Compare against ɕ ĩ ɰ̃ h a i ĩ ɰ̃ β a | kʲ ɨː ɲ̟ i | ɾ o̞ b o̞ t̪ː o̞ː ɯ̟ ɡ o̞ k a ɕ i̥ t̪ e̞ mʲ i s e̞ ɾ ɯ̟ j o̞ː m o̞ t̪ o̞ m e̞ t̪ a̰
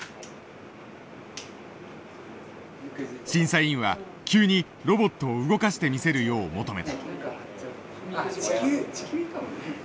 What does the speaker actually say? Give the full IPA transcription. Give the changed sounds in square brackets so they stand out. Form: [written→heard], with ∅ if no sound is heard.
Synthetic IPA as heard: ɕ ĩ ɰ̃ [h→s] a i ĩ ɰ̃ β a | kʲ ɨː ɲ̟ i | ɾ o̞ b o̞ t̪ː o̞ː ɯ̟ ɡ o̞ k a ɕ i̥ t̪ e̞ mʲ i s e̞ ɾ ɯ̟ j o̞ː m o̞ t̪ o̞ m e̞ t̪ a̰

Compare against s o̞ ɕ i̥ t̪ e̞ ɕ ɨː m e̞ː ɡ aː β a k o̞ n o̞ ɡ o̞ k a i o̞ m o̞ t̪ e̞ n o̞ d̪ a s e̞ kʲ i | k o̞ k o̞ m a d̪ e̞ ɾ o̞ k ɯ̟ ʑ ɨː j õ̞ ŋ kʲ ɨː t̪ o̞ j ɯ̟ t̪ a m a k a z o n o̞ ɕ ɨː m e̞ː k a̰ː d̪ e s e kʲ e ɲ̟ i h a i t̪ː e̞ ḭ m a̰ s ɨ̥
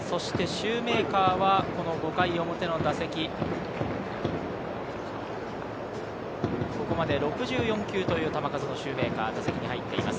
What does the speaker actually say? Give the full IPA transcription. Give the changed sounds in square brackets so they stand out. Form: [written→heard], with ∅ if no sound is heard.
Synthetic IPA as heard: s o̞ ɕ i̥ t̪ e̞ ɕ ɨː m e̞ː [ɡ→k] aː β a k o̞ n o̞ ɡ o̞ k a i o̞ m o̞ t̪ e̞ n o̞ d̪ a s e̞ kʲ i | k o̞ k o̞ m a d̪ e̞ ɾ o̞ k ɯ̟ ʑ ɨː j õ̞ ŋ kʲ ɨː t̪ o̞ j [ɯ̟→ɯ̟ː] t̪ a m a k a z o n o̞ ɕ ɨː m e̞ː k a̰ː d̪ [e→a] s e kʲ [e→i] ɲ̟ i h a i t̪ː e̞ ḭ m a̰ s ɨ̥

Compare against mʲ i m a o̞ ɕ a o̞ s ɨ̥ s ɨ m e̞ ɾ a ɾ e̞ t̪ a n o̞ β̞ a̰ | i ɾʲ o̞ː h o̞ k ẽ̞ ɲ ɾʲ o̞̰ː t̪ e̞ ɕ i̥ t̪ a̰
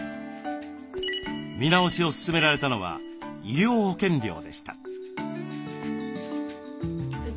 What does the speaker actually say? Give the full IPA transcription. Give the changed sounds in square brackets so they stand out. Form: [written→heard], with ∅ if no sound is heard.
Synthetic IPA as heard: mʲ i [m→n] a o̞ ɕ [a→i] o̞ s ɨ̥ s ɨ m e̞ ɾ a ɾ e̞ t̪ a n o̞ β̞ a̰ | i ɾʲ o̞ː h o̞ k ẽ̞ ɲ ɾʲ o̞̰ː [t̪→d̪] e̞ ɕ i̥ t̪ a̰

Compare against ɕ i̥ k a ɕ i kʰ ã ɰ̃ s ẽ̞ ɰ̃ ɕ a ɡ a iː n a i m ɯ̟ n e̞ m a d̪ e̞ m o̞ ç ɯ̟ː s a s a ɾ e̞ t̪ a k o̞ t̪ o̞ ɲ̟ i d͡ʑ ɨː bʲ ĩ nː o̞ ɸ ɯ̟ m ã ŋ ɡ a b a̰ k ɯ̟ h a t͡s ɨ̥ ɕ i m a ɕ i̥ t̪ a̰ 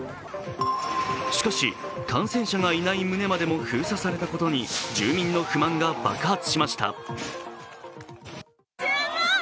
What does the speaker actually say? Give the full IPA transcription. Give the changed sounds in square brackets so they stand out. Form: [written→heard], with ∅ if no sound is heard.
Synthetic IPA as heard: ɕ i̥ k a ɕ i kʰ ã ɰ̃ s ẽ̞ ɰ̃ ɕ a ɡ a [iː→i] n a i m ɯ̟ n e̞ m a d̪ e̞ m o̞ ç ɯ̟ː s a s a ɾ e̞ t̪ a k o̞ t̪ o̞ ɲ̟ i d͡ʑ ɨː [bʲ→mʲ] ĩ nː o̞ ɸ ɯ̟ m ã ŋ ɡ a b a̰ k ɯ̟ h a t͡s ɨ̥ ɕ i m a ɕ i̥ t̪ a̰

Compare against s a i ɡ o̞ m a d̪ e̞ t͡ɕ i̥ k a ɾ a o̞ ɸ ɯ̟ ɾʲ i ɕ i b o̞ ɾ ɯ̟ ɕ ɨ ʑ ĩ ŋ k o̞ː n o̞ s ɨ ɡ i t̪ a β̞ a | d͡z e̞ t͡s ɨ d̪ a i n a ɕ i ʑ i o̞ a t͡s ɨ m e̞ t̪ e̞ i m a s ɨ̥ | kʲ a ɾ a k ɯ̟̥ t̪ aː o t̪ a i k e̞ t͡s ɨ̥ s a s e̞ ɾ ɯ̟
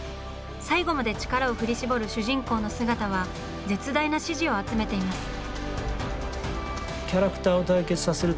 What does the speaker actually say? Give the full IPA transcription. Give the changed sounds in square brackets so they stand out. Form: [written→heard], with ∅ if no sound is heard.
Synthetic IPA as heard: s a i ɡ o̞ m a d̪ e̞ t͡ɕ i̥ k a ɾ a o̞ ɸ ɯ̟ ɾʲ i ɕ i b o̞ ɾ ɯ̟ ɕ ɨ ʑ ĩ ŋ k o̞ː n o̞ s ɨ ɡ [i→a] t̪ a β̞ a | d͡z e̞ t͡s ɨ d̪ a i n a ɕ i ʑ i o̞ a t͡s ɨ m e̞ t̪ e̞ i m a s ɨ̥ | kʲ a ɾ a k ɯ̟̥ t̪ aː o t̪ a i k e̞ t͡s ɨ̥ s a s e̞ ɾ ɯ̟

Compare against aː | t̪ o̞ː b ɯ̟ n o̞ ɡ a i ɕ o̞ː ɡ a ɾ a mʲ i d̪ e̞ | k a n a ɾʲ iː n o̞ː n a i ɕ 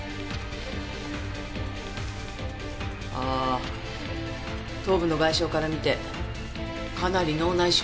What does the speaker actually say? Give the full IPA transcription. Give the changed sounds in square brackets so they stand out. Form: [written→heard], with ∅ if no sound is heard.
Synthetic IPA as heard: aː | t̪ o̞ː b ɯ̟ n o̞ ɡ a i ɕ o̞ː [ɡ→k] a ɾ a mʲ i [d̪→t̪] e̞ | k a n a ɾʲ [iː→i] n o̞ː n a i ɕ

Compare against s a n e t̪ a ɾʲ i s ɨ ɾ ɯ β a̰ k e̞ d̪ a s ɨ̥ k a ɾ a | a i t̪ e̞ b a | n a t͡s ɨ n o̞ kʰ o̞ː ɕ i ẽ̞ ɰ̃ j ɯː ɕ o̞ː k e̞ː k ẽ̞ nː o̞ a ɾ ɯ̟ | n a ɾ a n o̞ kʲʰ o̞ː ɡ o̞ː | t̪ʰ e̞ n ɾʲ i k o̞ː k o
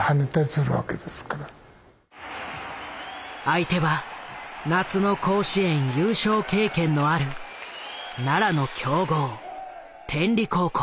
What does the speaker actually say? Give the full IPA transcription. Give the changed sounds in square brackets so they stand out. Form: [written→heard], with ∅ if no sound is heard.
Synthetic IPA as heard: [s→h] a n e t̪ a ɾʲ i s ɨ ɾ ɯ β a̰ k e̞ d̪ [a→e] s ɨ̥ k a ɾ a | a i t̪ e̞ [b→β] a | n a t͡s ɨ n o̞ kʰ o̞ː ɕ i ẽ̞ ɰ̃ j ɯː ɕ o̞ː k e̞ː k ẽ̞ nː o̞ a ɾ ɯ̟ | n a ɾ a n o̞ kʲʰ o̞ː ɡ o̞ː | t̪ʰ [e̞→ẽ̞] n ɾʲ i k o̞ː k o

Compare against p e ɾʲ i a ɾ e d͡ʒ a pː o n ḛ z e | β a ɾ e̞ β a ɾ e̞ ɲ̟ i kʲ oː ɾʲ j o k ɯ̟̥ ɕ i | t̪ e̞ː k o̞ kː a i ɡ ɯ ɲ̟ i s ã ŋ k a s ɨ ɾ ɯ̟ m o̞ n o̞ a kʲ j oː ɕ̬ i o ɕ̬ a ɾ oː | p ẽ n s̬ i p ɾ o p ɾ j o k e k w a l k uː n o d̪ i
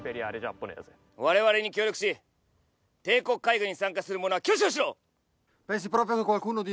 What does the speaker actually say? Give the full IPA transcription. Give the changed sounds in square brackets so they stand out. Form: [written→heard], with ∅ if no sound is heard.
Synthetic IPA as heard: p e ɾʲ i a ɾ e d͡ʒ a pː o n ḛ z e | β a ɾ e̞ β a ɾ e̞ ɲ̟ i kʲ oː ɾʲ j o k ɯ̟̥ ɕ i | t̪ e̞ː k o̞ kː a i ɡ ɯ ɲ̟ i s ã ŋ k a s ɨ ɾ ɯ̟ m o̞ n o̞ a kʲ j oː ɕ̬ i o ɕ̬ [a→i] ɾ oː | p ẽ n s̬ i p ɾ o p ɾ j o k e k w a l k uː n o d̪ i

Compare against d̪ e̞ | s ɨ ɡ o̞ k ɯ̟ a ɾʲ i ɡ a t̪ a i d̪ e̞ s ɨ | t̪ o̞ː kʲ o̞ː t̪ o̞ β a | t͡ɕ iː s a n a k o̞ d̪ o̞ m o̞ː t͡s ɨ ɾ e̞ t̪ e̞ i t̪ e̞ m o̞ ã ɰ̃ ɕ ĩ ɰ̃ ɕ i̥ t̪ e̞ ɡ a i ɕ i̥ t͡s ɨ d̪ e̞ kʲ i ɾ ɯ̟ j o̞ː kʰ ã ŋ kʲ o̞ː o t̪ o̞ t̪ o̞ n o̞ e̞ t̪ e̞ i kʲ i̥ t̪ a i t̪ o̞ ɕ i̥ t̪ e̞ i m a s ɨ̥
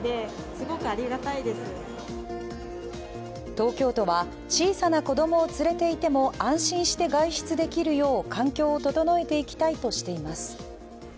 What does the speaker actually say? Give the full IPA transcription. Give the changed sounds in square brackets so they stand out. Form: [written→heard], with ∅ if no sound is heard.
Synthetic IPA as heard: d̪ e̞ | s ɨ ɡ o̞ k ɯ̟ a ɾʲ i ɡ a t̪ a i d̪ e̞ s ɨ | t̪ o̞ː kʲ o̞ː t̪ o̞ β a | t͡ɕ iː s a n a k o̞ d̪ o̞ m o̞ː t͡s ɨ ɾ e̞ t̪ e̞ i t̪ e̞ m o̞ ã ɰ̃ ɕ ĩ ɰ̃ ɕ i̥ t̪ e̞ ɡ a i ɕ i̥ t͡s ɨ d̪ e̞ kʲ i ɾ ɯ̟ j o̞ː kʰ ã ŋ kʲ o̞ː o t̪ o̞ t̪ o̞ n o̞ e̞ t̪ e̞ i kʲ i̥ t̪ a i t̪ o̞ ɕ i̥ t̪ e̞ i m a s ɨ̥

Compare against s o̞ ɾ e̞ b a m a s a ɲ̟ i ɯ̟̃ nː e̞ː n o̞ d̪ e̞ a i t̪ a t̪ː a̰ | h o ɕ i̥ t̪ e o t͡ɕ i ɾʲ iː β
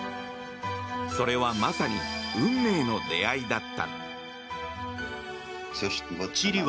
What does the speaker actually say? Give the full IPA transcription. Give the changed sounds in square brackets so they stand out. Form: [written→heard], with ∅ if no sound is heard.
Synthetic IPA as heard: s o̞ ɾ e̞ [b→β] a m a s a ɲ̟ i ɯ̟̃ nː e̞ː n o̞ d̪ e̞ a i [t̪→d̪] a t̪ː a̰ | [h→s] o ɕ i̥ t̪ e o t͡ɕ i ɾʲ [iː→i] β

